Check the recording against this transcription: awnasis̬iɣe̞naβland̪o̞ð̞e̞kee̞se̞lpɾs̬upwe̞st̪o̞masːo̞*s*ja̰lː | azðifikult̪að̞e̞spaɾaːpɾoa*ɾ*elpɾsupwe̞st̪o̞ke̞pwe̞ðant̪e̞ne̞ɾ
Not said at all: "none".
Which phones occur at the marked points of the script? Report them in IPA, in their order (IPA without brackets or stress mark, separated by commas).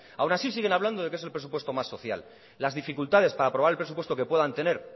θ, ɾ